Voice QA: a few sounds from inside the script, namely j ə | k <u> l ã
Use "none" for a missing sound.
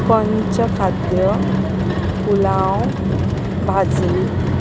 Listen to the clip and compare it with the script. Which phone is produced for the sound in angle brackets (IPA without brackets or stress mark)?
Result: u